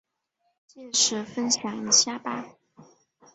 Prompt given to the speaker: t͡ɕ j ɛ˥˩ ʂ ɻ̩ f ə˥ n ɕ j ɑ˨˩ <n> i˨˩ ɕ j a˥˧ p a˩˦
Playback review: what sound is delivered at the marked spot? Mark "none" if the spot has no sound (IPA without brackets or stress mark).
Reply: ŋ